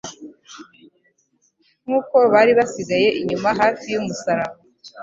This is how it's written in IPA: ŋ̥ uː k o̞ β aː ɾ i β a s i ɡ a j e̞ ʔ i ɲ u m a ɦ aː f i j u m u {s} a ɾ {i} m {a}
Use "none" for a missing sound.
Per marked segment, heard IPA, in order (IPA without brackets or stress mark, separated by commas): s, a, a